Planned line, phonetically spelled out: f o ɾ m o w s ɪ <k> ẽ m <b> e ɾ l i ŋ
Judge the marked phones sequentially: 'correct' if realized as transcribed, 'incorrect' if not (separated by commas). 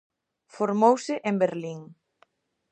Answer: incorrect, correct